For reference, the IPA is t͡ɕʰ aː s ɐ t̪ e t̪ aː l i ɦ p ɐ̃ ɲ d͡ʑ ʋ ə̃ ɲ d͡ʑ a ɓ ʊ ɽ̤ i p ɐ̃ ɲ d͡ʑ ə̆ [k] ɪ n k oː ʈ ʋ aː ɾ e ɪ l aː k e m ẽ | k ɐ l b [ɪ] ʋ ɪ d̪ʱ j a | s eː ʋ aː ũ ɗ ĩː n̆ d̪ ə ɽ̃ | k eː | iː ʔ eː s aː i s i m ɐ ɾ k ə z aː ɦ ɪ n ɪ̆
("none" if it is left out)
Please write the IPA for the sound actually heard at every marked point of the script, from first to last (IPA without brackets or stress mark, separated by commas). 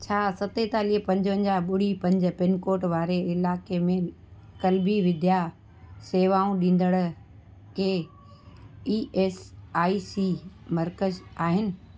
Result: p, i